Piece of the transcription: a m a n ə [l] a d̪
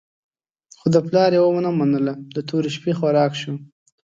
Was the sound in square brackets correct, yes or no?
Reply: yes